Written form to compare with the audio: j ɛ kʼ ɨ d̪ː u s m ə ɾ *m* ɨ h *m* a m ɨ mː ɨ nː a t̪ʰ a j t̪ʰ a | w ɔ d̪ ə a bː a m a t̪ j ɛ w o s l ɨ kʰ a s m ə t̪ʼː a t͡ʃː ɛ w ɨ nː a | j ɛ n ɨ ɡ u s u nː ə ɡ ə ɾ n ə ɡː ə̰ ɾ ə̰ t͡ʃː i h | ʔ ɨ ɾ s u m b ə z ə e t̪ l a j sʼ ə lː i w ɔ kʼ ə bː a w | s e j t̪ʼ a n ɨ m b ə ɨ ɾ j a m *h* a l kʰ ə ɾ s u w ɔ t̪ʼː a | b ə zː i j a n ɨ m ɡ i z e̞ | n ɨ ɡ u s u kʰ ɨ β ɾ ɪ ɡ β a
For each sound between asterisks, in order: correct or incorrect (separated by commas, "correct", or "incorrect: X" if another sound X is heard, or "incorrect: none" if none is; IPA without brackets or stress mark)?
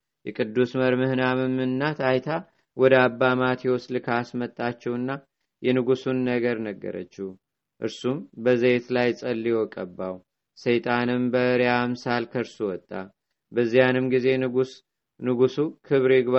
correct, incorrect: n, incorrect: s